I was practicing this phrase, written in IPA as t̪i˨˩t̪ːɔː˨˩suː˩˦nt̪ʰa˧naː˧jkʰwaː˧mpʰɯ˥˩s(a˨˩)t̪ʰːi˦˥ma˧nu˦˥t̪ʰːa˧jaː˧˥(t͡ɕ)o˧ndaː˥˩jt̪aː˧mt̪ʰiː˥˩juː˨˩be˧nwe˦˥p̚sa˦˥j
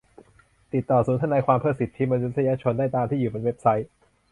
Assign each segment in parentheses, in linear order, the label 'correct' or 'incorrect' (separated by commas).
incorrect, incorrect